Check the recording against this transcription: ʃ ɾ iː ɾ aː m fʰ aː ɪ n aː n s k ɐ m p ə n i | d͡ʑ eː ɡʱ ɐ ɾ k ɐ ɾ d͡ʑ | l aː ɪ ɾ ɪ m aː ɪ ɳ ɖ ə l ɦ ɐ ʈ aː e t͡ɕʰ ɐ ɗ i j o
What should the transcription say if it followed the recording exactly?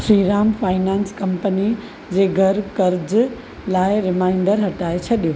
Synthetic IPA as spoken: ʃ ɾ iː ɾ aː m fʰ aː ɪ n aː n s k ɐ m p ə n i | d͡ʑ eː ɡʱ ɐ ɾ k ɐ ɾ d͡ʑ | l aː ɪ ɾ ɪ m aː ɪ ɳ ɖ ə ɾ ɦ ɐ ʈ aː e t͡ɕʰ ɐ ɗ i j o